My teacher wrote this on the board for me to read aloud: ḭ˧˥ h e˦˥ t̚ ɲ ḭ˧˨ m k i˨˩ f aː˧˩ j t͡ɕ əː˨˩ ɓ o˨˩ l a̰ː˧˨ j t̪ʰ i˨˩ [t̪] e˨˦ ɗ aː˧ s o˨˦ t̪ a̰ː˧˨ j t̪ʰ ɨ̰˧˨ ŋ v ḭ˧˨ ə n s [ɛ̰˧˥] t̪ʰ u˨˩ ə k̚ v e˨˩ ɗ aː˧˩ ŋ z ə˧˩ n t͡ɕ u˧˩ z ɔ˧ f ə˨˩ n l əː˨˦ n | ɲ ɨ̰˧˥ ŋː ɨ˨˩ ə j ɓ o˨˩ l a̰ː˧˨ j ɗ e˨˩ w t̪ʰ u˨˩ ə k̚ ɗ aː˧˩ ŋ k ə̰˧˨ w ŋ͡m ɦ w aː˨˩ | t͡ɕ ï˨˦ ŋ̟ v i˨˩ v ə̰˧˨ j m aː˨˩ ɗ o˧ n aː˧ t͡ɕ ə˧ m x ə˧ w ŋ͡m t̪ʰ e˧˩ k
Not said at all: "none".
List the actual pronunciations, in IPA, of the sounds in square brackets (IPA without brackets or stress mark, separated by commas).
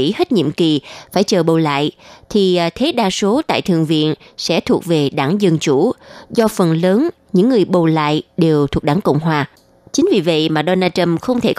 t̪ʰ, ɛ̰˧˥